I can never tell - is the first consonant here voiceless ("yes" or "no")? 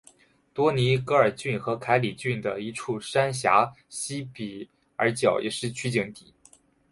yes